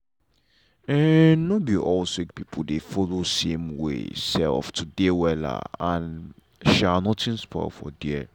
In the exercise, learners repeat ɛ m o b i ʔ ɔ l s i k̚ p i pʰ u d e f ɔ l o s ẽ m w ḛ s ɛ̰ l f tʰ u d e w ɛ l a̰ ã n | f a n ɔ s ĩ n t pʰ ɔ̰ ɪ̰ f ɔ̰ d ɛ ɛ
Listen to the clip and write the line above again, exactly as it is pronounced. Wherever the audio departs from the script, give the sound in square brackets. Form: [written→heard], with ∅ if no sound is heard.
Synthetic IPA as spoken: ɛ [m→n] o b i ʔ ɔ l s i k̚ p i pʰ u d e f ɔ l o s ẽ m w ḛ s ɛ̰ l f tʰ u d e w ɛ l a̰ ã n | [f→ʃ] a n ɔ [s→t] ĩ n [t→s] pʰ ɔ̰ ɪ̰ f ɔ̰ d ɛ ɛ